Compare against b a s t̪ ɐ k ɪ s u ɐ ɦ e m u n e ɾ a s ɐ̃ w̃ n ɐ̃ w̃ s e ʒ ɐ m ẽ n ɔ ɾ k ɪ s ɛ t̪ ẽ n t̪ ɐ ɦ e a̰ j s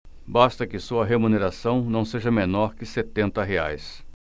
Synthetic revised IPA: b a s t̪ ɐ k ɪ s u ɐ ɦ e m u n e ɾ a s ɐ̃ w̃ n ɐ̃ w̃ s e ʒ ɐ m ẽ n ɔ ɾ k ɪ s e t̪ ẽ n t̪ ɐ ɦ e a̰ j s